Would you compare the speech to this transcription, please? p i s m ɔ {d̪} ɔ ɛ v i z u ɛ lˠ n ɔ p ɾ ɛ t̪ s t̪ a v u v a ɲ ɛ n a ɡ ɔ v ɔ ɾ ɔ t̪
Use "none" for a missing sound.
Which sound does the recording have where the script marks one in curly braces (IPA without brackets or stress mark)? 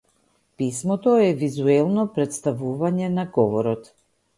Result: t̪